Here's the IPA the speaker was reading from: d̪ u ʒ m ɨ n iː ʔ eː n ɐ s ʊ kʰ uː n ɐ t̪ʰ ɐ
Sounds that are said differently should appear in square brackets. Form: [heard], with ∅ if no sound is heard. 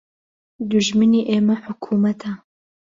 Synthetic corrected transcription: d̪ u ʒ m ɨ n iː ʔ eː [m] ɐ [ħ] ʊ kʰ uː [m] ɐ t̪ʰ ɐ

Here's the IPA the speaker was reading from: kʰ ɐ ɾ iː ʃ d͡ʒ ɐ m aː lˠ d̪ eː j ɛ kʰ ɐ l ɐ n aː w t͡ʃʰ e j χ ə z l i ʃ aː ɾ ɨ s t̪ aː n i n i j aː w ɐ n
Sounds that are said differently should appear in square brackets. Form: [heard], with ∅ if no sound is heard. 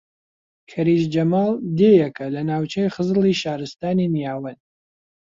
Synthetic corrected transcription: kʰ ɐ ɾ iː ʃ d͡ʒ ɐ m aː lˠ d̪ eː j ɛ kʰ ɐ l ɐ n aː w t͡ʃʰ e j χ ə z l i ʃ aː ɾ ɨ s t̪ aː n i n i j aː w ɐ n

